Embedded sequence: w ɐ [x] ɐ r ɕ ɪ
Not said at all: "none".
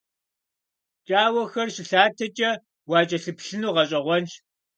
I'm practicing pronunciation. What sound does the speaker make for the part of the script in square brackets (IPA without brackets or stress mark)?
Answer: x